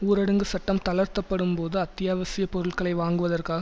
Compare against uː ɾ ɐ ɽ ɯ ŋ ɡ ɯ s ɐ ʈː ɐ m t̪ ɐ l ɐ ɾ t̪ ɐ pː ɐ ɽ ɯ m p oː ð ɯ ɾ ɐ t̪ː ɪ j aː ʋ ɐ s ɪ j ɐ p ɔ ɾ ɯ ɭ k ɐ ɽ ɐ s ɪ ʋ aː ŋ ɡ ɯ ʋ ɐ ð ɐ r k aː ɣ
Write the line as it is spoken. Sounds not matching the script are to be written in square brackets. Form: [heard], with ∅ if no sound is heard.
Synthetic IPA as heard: uː ɾ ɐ ɽ ɯ ŋ ɡ ɯ s ɐ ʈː ɐ m t̪ ɐ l ɐ ɾ t̪ ɐ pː ɐ ɽ ɯ m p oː ð ɯ [∅] ɐ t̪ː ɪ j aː ʋ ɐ s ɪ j ɐ p ɔ ɾ ɯ ɭ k ɐ [ɭ] ɐ [∅] ɪ ʋ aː ŋ ɡ ɯ ʋ ɐ ð ɐ r k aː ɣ